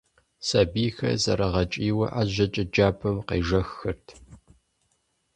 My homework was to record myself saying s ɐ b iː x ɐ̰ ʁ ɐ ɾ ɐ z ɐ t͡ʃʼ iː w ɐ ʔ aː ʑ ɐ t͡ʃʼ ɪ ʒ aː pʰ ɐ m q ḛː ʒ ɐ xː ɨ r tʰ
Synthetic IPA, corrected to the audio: s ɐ b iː x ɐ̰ z ɐ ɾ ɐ ʁ ɐ t͡ʃʼ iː w ɐ ʔ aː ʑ ɐ t͡ʃʼ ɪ d͡ʒ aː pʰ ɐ m q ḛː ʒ ɐ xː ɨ r tʰ

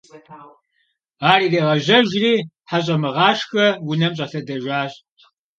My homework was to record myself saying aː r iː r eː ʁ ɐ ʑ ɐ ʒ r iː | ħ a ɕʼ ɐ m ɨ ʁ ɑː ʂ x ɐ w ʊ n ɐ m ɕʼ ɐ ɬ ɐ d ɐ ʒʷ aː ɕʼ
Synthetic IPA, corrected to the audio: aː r iː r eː ʁ ɐ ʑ ɐ ʒ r iː | ħ a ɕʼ ɐ m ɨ ʁ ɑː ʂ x ɐ w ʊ n ɐ m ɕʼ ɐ ɬ ɐ d ɐ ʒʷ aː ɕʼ

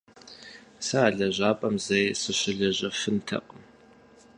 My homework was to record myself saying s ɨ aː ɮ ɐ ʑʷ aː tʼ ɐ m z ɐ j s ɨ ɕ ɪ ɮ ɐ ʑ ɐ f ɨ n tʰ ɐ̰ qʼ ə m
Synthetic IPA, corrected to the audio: s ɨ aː ɮ ɐ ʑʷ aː pʼ ɐ m z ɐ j s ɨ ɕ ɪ ɮ ɐ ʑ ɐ f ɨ n tʰ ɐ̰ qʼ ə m

